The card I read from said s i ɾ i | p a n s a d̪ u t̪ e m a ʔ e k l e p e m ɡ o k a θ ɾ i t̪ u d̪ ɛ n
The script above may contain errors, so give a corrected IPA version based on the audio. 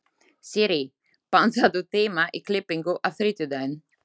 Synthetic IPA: s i ɾ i | p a n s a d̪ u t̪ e m a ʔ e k l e p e ŋ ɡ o ʔ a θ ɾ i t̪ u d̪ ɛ n